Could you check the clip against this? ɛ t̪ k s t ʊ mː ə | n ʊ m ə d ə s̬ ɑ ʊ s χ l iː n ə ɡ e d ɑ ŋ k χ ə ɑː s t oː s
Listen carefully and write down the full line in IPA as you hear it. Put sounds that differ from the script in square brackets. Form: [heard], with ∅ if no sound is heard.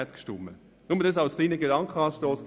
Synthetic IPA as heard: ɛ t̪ k [ʃ] t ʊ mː ə | n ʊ m ə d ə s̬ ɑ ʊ s χ l iː n ə ɡ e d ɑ ŋ k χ ə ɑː [ʃ] t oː s